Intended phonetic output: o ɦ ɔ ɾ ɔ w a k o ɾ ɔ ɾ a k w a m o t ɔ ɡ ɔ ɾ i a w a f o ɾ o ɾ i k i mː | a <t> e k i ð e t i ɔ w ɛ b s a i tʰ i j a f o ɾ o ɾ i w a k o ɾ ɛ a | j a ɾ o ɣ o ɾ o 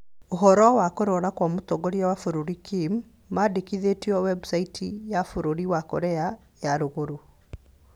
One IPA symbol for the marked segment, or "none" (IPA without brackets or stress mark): d